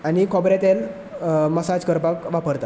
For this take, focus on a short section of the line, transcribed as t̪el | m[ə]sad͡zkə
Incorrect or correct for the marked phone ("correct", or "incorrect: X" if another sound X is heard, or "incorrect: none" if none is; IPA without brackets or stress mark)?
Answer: correct